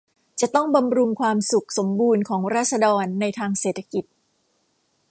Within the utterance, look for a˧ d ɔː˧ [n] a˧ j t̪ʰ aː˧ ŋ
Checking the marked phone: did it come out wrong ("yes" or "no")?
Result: yes